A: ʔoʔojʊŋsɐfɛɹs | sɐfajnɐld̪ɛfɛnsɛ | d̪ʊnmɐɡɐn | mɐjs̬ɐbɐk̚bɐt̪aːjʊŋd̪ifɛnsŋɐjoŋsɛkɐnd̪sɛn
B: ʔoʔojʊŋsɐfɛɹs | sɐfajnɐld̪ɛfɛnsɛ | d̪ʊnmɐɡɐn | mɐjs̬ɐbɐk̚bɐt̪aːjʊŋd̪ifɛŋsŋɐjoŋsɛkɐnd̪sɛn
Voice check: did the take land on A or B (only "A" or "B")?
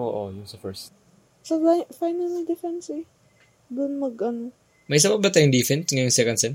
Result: A